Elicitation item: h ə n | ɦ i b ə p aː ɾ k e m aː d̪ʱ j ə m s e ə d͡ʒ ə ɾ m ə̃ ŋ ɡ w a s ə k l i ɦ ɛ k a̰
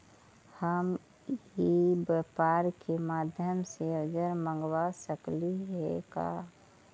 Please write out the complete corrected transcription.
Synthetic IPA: h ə m | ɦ i b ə p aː ɾ k e m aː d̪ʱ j ə m s e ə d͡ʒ ə ɾ m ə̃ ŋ ɡ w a s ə k l i ɦ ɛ k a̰